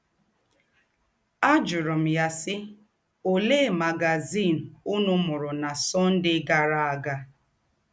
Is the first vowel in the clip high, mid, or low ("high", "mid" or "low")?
low